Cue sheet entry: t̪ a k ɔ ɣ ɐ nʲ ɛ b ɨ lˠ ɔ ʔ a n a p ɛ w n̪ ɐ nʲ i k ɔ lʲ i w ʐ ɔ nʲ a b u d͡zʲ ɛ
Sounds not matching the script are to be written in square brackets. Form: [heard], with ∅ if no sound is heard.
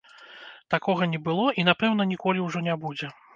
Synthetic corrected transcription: t̪ a k ɔ ɣ ɐ nʲ ɛ b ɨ lˠ ɔ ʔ [i] n a p ɛ w n̪ ɐ nʲ i k ɔ lʲ i w ʐ ɔ nʲ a b u d͡zʲ ɛ